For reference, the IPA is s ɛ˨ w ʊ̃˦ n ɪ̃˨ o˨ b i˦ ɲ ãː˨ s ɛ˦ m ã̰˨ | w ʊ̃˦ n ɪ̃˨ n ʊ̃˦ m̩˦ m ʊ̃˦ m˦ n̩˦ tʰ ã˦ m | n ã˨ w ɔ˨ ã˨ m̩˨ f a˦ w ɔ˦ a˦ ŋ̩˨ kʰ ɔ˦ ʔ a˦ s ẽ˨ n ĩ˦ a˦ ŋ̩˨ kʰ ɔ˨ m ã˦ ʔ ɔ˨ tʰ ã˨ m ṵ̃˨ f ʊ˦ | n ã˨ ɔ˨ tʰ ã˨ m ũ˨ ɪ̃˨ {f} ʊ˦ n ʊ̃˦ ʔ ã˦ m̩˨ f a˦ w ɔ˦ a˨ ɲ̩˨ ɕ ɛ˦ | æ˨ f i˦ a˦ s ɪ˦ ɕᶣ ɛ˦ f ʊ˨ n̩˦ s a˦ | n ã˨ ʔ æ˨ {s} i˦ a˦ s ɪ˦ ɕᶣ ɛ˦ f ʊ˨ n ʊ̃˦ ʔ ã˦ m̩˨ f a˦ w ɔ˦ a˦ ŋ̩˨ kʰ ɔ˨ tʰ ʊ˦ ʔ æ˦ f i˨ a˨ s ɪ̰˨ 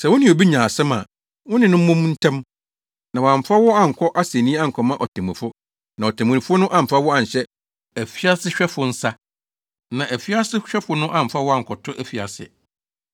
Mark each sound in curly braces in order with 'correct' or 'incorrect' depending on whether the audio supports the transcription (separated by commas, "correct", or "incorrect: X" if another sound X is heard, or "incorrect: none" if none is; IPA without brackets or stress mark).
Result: correct, incorrect: f